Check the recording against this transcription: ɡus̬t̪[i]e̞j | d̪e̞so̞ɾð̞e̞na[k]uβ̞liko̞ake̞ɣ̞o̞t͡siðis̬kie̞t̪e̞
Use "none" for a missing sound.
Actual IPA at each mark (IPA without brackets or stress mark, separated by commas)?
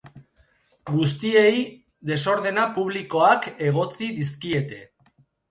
i, p